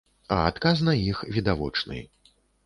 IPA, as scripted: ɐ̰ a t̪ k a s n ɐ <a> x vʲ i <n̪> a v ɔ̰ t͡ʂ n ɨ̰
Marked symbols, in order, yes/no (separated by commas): no, no